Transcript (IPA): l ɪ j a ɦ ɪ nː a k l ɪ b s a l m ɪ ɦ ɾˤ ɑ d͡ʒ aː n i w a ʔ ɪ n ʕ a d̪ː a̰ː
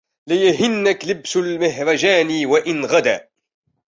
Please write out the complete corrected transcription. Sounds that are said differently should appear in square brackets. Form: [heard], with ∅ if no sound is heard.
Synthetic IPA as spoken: l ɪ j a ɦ ɪ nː a k l ɪ b s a l m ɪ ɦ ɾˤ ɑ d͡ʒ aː n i w a ʔ ɪ n [ɣ] a [d̪] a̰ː